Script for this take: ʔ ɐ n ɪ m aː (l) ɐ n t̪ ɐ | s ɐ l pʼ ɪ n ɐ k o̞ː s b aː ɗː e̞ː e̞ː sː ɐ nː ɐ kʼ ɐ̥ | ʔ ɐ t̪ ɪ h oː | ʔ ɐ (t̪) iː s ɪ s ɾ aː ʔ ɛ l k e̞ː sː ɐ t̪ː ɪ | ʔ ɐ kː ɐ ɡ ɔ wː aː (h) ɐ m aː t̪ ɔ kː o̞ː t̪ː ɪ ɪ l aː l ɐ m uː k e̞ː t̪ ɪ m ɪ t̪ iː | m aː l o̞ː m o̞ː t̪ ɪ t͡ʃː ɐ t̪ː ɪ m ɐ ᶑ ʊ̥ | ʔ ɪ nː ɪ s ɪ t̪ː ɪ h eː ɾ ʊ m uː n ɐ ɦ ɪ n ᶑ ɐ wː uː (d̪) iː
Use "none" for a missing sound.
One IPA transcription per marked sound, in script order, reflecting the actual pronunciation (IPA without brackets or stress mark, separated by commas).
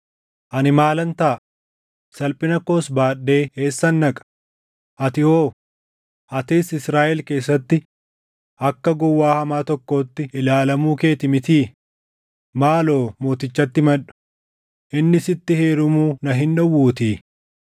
l, t̪, h, t̪